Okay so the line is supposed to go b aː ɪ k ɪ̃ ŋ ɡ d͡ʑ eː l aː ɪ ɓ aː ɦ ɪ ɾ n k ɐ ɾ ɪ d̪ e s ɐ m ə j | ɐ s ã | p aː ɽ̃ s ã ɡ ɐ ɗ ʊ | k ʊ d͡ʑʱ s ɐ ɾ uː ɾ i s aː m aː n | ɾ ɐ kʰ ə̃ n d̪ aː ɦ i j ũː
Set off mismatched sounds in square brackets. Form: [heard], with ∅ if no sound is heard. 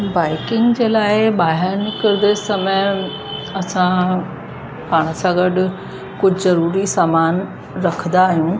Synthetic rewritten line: b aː ɪ k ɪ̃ ŋ ɡ d͡ʑ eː l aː ɪ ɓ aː ɦ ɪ ɾ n k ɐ ɾ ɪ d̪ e s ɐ m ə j | ɐ s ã | p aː ɽ̃ s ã ɡ ɐ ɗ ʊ | k ʊ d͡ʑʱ [z] ɐ ɾ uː ɾ i s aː m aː n | ɾ ɐ kʰ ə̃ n d̪ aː ɦ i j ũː